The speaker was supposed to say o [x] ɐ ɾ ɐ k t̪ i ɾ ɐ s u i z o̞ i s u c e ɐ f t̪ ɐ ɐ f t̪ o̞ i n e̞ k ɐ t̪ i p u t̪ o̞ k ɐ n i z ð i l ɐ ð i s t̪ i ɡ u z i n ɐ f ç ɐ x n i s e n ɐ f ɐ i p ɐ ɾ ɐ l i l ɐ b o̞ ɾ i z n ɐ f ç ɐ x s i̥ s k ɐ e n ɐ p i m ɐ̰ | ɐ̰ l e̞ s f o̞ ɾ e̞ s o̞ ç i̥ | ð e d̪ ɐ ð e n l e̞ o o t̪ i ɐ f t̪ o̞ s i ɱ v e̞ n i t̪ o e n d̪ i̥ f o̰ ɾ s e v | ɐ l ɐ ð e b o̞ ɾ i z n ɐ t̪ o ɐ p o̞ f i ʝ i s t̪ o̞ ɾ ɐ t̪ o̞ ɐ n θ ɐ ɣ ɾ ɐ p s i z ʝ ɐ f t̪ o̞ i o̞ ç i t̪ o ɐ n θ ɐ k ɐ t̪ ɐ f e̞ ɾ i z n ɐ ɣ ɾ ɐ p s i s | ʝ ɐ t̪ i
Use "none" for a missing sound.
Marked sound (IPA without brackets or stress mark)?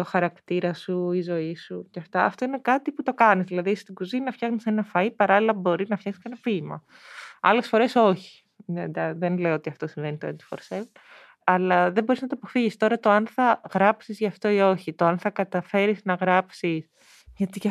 x